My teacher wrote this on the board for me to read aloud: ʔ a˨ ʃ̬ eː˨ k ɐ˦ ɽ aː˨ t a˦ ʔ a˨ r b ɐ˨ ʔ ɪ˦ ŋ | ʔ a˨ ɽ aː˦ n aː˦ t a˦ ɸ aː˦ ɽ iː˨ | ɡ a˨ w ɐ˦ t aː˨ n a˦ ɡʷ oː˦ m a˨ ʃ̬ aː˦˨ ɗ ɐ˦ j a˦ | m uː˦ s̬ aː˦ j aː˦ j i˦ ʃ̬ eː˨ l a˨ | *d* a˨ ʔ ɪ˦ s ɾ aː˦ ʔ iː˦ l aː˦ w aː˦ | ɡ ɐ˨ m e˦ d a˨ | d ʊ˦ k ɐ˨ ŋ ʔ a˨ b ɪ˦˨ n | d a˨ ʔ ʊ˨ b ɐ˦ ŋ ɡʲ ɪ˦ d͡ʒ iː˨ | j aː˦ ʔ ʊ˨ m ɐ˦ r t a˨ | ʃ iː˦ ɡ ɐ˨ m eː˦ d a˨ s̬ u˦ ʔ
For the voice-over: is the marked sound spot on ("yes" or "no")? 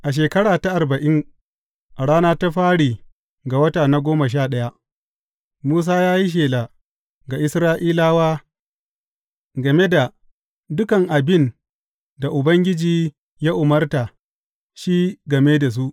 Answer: no